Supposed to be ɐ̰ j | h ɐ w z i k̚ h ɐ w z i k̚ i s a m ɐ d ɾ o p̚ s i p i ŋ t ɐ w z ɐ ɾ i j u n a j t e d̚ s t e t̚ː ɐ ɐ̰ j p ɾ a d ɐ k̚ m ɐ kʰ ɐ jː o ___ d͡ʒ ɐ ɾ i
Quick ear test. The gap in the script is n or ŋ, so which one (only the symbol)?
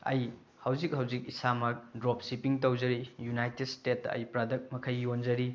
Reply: n